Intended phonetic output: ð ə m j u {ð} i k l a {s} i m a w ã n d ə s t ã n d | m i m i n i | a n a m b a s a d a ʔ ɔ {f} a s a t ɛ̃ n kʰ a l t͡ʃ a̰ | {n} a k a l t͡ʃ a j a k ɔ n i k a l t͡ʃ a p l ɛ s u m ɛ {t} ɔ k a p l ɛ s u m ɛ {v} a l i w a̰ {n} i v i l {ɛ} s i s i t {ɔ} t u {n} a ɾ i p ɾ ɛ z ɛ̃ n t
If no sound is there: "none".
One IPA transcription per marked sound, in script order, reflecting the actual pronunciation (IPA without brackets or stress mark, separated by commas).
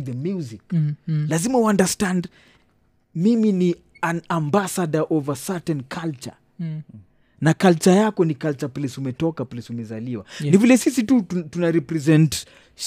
z, z, v, n, t, z, n, ɛ, u, n